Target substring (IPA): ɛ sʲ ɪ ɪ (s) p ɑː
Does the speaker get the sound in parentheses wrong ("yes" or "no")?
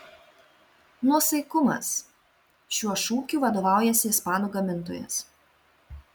no